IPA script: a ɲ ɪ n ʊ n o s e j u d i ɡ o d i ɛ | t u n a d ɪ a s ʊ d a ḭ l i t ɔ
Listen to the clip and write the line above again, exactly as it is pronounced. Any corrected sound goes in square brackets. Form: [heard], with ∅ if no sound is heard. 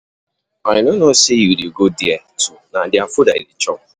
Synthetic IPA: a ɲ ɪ n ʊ n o s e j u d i ɡ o d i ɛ | t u n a d ɪ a [f] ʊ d a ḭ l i [t͡ʃ] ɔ